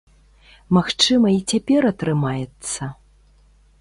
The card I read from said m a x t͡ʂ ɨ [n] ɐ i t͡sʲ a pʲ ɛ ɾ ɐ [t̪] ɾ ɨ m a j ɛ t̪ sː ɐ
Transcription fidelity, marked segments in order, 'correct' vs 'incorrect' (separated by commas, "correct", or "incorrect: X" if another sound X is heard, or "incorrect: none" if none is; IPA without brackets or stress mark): incorrect: m, correct